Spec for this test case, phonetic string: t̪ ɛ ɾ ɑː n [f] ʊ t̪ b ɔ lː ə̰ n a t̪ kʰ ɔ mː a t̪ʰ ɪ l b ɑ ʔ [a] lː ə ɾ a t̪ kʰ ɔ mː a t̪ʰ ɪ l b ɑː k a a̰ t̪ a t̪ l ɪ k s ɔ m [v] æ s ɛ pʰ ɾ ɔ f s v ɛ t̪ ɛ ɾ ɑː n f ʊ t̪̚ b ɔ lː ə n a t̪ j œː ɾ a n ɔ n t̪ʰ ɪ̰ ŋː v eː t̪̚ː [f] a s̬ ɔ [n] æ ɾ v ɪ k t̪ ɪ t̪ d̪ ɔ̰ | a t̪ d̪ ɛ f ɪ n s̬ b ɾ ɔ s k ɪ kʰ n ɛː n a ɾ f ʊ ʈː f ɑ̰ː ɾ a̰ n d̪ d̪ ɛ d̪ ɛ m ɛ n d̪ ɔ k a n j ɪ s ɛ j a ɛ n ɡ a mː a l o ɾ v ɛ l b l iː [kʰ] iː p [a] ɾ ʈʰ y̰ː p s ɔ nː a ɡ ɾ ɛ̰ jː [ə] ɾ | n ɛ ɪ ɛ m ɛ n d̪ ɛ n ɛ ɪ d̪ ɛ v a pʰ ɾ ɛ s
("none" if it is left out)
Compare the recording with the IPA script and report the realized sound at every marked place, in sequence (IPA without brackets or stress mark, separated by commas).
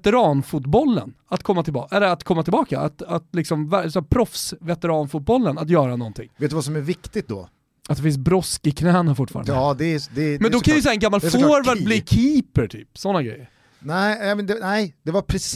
f, ɛ, v, v, m, kʰ, ə, ə